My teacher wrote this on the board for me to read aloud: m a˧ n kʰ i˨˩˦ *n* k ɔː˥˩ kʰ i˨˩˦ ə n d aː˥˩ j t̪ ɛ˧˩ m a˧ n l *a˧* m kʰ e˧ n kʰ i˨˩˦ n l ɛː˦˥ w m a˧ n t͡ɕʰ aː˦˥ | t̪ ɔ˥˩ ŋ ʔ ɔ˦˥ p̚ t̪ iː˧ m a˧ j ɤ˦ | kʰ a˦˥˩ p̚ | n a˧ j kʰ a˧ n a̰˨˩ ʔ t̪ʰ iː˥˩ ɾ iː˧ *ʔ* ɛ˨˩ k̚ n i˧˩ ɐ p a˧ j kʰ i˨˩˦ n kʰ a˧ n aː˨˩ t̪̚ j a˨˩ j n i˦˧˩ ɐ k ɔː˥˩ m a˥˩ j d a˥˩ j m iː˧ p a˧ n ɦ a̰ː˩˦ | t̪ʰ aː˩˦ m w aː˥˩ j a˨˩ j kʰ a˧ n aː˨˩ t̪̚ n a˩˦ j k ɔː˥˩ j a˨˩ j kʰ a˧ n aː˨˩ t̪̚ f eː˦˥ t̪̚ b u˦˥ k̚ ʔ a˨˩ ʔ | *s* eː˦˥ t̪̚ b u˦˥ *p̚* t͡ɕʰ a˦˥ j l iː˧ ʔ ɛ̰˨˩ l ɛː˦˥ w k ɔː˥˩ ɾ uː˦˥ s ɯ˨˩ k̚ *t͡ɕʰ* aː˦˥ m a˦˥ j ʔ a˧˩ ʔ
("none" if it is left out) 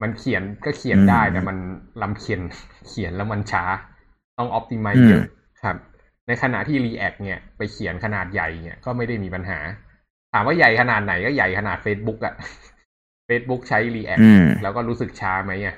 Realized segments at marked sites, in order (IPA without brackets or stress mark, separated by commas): n, a˧, ʔ, f, k̚, t͡ɕʰ